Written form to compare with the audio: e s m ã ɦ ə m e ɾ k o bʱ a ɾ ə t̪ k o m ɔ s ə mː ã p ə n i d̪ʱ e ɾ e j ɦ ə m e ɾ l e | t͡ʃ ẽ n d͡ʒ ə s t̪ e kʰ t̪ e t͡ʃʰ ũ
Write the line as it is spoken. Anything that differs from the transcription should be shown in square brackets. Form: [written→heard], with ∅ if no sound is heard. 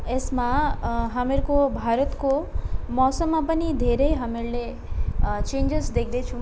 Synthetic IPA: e s m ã ɦ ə m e ɾ k o bʱ a ɾ ə t̪ k o m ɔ s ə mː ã p ə n i d̪ʱ e ɾ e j ɦ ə m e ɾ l e | t͡ʃ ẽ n d͡ʒ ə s [t̪→d̪] e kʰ [t̪→d̪] e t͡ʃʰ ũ